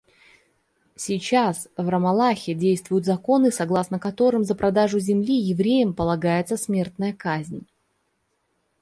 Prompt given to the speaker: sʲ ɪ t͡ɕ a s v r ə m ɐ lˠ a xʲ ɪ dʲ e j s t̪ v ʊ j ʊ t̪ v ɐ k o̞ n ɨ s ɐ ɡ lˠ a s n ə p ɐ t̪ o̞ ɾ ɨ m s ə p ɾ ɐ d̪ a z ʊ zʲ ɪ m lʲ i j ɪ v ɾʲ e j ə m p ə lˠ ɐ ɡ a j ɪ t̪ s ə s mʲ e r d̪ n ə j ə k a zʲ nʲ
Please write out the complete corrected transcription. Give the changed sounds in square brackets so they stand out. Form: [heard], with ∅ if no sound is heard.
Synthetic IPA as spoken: sʲ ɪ t͡ɕ a s v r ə m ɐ lˠ a xʲ ɪ dʲ e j s t̪ v ʊ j ʊ t̪ [z] ɐ k o̞ n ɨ s ɐ ɡ lˠ a s n ə [k] ɐ t̪ o̞ ɾ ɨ m [z] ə p ɾ ɐ d̪ a [ʐ] ʊ zʲ ɪ m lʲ i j ɪ v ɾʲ e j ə m p ə lˠ ɐ ɡ a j ɪ t̪ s ə s mʲ e r [t̪] n ə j ə k a zʲ nʲ

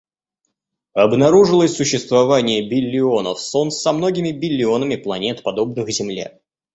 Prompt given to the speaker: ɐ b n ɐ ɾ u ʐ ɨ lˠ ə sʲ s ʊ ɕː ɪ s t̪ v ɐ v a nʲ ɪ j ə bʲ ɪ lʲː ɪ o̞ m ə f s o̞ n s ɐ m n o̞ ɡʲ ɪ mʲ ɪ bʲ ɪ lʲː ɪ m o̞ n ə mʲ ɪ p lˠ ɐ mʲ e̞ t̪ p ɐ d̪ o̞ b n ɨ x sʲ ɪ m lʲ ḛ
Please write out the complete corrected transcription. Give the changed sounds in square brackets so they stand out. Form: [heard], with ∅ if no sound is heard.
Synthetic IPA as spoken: ɐ b n ɐ ɾ u ʐ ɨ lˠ ə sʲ s ʊ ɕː ɪ s t̪ v ɐ v a nʲ ɪ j ə bʲ ɪ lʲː ɪ o̞ [n] ə f s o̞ n s ɐ m n o̞ ɡʲ ɪ mʲ ɪ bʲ ɪ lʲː ɪ [∅] o̞ n ə mʲ ɪ p lˠ ɐ [nʲ] e̞ t̪ p ɐ d̪ o̞ b n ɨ x [zʲ] ɪ m lʲ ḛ

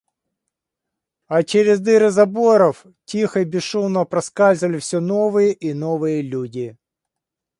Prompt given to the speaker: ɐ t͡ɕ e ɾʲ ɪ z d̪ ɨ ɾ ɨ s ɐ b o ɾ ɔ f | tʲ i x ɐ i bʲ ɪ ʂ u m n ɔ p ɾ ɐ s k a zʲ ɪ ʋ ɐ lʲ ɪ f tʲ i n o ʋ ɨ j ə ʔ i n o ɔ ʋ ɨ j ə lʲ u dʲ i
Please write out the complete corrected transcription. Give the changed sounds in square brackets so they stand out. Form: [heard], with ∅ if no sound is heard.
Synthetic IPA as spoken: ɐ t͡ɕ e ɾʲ ɪ z d̪ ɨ ɾ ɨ [z] ɐ b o ɾ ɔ f | tʲ i x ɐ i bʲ ɪ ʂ u m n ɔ p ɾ ɐ s k a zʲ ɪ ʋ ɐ lʲ ɪ f [sʲ] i n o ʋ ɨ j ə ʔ i n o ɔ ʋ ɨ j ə lʲ u dʲ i

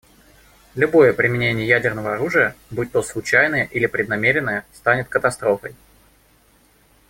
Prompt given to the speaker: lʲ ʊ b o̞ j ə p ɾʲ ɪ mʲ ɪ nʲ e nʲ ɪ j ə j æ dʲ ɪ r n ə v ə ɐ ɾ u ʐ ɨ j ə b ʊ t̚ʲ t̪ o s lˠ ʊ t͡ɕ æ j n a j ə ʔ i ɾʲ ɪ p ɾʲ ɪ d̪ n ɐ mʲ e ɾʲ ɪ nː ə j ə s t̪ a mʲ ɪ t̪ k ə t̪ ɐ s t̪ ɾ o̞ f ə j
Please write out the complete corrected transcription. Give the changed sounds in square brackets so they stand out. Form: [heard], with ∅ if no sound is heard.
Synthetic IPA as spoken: lʲ ʊ b o̞ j ə p ɾʲ ɪ mʲ ɪ nʲ e nʲ ɪ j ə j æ dʲ ɪ r n ə v ə ɐ ɾ u ʐ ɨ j ə b [u] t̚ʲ t̪ o s lˠ ʊ t͡ɕ æ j n [ə] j ə ʔ i [lʲ] ɪ p ɾʲ ɪ d̪ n ɐ mʲ e ɾʲ ɪ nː ə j ə s t̪ a [nʲ] ɪ t̪ k ə t̪ ɐ s t̪ ɾ o̞ f ə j

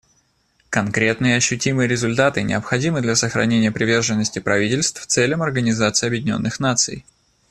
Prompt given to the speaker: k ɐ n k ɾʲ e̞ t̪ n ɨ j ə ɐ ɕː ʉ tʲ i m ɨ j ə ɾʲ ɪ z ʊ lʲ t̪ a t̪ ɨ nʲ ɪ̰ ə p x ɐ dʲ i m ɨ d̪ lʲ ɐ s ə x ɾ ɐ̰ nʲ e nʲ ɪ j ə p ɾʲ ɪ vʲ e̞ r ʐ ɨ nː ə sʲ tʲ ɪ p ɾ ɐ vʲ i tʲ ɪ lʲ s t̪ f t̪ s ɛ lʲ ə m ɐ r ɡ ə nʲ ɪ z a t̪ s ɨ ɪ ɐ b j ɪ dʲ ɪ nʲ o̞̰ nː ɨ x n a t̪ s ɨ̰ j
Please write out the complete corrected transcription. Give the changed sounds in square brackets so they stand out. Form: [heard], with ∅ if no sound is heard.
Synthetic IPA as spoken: k ɐ n k ɾʲ e̞ t̪ n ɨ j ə ɐ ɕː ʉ tʲ i m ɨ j ə ɾʲ ɪ z ʊ lʲ t̪ a t̪ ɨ nʲ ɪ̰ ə p x ɐ dʲ i m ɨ d̪ lʲ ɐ s ə x ɾ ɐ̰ nʲ e nʲ ɪ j ə p ɾʲ ɪ vʲ e̞ r ʐ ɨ nː ə sʲ tʲ ɪ p ɾ ɐ vʲ i tʲ ɪ lʲ s t̪ f t̪ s ɛ lʲ ə m ɐ r ɡ ə nʲ ɪ z a t̪ s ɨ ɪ ɐ b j ɪ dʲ ɪ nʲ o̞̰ nː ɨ x n a t̪ s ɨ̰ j

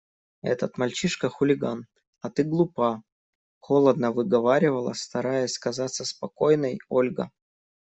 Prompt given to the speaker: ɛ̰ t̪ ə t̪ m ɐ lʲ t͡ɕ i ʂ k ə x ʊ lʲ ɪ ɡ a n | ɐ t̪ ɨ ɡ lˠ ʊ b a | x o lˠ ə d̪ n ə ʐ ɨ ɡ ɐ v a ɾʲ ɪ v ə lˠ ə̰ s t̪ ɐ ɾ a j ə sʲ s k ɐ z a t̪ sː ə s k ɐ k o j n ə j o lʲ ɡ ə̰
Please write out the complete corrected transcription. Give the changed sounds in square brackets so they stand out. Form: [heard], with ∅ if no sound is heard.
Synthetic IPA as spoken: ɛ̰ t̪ ə t̪ m ɐ lʲ t͡ɕ i ʂ k ə x ʊ lʲ ɪ ɡ a n | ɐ t̪ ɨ ɡ lˠ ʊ [p] a | x o lˠ ə d̪ n ə [v] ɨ ɡ ɐ v a ɾʲ ɪ v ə lˠ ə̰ s t̪ ɐ ɾ a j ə sʲ s k ɐ z a t̪ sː ə s [p] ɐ k o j n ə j o lʲ ɡ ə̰

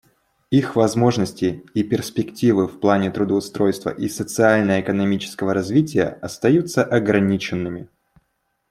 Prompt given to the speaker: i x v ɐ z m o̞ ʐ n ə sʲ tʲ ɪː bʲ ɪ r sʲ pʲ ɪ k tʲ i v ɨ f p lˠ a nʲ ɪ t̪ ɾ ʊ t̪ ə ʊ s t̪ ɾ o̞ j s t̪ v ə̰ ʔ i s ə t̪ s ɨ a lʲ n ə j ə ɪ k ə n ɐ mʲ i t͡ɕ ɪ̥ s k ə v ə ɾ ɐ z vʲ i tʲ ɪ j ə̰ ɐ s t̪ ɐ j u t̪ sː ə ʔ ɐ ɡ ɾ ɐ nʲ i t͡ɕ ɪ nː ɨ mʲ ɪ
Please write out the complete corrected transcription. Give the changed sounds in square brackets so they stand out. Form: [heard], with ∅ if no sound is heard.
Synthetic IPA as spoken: i x v ɐ z m o̞ ʐ n ə sʲ tʲ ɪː [pʲ] ɪ r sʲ pʲ ɪ k tʲ i v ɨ f p lˠ a nʲ ɪ t̪ ɾ ʊ [d̪] ə ʊ s t̪ ɾ o̞ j s t̪ v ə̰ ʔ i s ə t̪ s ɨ a lʲ n ə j ə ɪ k ə n ɐ mʲ i t͡ɕ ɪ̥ s k ə v ə ɾ ɐ z vʲ i tʲ ɪ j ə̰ ɐ s t̪ ɐ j u t̪ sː ə ʔ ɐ ɡ ɾ ɐ nʲ i t͡ɕ ɪ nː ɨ mʲ ɪ

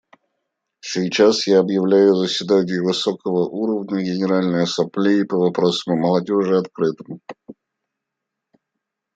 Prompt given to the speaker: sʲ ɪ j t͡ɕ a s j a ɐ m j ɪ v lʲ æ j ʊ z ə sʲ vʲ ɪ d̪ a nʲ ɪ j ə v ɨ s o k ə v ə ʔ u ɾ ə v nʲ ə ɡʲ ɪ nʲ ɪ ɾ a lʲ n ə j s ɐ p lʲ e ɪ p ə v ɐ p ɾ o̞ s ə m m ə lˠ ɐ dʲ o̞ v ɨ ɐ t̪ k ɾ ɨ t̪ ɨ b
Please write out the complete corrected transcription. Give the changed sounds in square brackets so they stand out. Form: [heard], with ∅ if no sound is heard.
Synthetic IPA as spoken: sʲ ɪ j t͡ɕ a s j a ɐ [b] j ɪ v lʲ æ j ʊ z ə sʲ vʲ ɪ d̪ a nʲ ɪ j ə v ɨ s o k ə v ə ʔ u ɾ ə v nʲ ə ɡʲ ɪ nʲ ɪ ɾ a lʲ n ə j s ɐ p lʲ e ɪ p ə v ɐ p ɾ o̞ s ə m m ə lˠ ɐ dʲ o̞ [ʐ] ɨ ɐ t̪ k ɾ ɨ t̪ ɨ [m]

